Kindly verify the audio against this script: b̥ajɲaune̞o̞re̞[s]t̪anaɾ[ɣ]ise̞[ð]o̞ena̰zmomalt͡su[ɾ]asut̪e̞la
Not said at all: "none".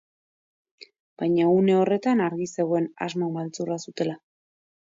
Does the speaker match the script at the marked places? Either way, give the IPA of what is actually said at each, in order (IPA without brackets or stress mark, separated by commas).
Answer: none, ɣ, ɣ, r